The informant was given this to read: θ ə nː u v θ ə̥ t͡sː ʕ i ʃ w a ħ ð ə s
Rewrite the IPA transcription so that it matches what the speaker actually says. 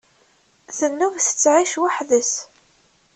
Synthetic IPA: θ ə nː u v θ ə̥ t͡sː ʕ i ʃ w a ħ ð ə s